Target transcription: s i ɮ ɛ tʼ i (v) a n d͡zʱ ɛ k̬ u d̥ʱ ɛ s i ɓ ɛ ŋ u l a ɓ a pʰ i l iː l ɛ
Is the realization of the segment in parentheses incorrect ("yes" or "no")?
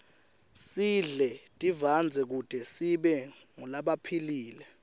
no